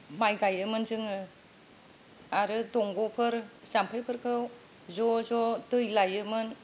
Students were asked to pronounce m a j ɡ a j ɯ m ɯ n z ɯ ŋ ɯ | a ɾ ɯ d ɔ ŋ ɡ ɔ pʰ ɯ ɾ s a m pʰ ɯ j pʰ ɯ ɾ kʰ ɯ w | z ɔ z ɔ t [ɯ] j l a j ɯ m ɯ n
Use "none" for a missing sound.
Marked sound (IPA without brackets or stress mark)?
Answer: ɯ